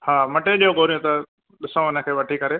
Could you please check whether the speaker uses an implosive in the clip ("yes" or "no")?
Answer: yes